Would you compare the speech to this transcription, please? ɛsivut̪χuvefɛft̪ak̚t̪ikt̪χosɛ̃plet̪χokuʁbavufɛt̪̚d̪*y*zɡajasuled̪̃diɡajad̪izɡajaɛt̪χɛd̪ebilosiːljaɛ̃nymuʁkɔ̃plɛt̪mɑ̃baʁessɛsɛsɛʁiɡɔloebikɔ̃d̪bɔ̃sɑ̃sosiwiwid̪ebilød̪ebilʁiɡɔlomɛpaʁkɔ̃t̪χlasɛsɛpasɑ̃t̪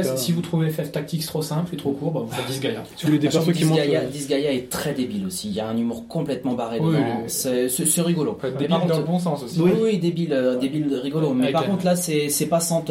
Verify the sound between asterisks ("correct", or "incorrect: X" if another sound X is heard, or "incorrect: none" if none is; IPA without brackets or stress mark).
incorrect: i